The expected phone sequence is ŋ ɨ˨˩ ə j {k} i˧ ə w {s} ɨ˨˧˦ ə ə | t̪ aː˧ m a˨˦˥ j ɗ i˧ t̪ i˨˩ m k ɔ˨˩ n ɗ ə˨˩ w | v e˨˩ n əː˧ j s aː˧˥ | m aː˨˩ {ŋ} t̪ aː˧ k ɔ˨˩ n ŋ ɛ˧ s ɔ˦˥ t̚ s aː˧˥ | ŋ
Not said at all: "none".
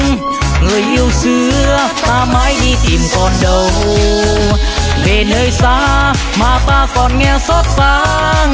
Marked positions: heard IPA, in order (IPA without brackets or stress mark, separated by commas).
ʔ, s, none